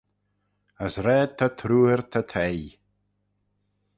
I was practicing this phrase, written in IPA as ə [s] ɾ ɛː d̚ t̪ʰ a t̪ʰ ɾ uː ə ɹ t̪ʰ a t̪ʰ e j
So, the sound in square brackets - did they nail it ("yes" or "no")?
yes